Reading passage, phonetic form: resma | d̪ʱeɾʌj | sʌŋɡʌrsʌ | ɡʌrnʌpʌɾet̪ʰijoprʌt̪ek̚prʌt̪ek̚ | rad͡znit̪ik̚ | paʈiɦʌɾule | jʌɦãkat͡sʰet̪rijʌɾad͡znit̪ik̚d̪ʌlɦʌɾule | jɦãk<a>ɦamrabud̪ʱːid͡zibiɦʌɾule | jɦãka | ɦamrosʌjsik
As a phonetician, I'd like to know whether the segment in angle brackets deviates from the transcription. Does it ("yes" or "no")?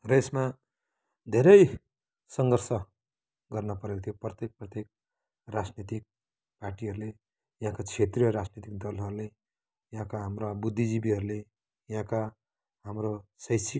no